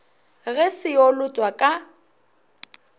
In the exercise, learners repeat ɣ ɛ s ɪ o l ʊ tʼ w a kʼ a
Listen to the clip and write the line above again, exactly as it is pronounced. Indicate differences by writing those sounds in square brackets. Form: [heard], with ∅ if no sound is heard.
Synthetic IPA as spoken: ɣ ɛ s ɪ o l ʊ tʼ w a kʼ a